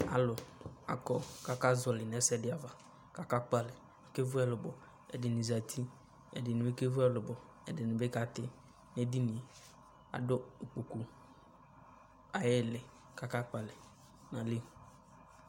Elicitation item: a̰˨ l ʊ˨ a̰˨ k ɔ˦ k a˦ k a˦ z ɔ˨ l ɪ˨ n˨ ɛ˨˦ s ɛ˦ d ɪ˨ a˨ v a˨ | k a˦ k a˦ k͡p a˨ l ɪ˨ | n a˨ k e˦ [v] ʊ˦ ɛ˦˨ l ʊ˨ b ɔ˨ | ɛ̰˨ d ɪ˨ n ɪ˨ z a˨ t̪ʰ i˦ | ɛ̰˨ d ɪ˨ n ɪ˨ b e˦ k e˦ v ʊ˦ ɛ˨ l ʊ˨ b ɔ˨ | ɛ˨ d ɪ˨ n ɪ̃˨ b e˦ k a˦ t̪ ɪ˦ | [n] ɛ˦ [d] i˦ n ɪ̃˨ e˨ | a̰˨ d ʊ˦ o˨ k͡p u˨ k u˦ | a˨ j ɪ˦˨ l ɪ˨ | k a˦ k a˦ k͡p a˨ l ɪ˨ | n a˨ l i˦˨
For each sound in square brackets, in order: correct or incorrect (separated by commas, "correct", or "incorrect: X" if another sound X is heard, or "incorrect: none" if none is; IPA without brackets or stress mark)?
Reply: correct, correct, correct